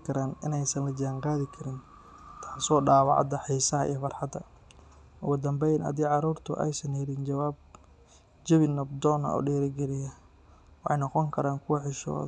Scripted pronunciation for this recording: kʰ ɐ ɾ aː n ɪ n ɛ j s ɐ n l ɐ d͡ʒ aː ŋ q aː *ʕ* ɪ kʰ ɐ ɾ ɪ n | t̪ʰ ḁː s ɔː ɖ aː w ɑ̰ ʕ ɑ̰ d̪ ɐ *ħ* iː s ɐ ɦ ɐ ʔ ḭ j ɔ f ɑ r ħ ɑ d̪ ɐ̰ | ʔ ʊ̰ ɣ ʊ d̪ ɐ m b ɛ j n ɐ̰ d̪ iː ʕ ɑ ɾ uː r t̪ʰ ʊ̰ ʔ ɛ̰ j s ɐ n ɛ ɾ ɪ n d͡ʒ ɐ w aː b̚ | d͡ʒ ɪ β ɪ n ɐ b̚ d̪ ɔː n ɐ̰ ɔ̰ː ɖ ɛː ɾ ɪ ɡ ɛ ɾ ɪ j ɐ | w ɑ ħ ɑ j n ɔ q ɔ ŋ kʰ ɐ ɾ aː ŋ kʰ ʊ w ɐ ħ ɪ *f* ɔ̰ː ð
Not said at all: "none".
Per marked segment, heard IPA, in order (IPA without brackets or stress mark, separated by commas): ð, ħ, ʃ